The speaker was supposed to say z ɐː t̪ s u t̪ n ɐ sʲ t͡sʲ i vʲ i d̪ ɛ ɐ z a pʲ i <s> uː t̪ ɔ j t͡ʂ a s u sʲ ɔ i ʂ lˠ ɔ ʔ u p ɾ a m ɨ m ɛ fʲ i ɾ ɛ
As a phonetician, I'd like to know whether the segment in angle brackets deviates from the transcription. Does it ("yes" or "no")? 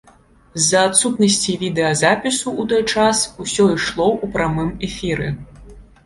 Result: no